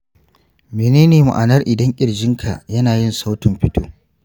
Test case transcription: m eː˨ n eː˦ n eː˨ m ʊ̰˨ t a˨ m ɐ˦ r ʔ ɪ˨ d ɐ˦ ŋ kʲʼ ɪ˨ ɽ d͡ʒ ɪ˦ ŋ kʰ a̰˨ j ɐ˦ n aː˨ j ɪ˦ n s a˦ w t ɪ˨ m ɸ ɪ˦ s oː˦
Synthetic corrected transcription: m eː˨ n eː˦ n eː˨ m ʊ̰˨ ʔ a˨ n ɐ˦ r ʔ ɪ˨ d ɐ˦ ŋ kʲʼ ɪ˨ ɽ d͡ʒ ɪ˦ ŋ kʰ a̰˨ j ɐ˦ n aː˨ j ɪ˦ n s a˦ w t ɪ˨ m ɸ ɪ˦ t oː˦